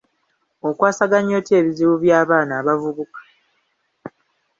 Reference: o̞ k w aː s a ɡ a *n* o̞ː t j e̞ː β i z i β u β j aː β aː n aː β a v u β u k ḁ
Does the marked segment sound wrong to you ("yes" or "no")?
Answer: yes